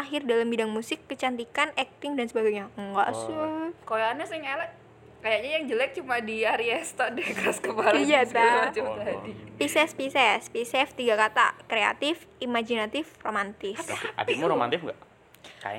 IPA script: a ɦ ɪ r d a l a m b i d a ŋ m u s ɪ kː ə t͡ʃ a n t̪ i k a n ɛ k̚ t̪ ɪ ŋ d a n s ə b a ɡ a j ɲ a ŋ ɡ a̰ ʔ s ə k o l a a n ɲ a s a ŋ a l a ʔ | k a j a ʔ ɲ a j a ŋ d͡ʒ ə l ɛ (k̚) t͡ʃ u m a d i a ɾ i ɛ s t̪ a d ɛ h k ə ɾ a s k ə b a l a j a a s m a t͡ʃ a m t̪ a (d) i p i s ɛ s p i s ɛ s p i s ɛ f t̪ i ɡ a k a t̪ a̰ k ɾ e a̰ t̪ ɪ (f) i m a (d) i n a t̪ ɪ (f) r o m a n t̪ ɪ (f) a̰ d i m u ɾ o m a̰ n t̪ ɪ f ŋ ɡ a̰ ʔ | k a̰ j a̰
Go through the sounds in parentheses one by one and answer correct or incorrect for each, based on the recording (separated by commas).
correct, correct, correct, incorrect, correct, incorrect